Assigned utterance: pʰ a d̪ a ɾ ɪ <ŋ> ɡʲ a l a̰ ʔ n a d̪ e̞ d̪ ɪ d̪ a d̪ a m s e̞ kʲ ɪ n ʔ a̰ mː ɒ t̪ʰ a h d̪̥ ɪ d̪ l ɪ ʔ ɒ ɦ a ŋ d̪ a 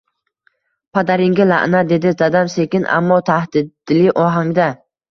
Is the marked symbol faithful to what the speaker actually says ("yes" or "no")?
yes